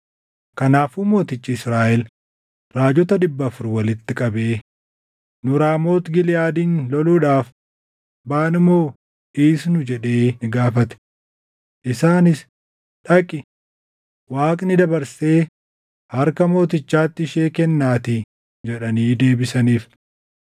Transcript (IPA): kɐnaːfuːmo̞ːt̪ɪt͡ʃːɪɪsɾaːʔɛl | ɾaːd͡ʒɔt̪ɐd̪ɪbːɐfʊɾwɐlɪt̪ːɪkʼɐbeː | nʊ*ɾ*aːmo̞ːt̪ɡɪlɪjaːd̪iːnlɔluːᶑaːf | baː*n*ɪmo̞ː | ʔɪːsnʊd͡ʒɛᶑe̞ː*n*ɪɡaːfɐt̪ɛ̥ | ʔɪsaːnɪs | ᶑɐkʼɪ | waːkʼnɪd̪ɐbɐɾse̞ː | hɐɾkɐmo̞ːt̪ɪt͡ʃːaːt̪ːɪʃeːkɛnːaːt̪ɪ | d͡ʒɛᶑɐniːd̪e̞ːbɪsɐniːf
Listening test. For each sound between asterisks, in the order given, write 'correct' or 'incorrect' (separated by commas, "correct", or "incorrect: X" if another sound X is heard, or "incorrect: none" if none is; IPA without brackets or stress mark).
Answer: correct, correct, correct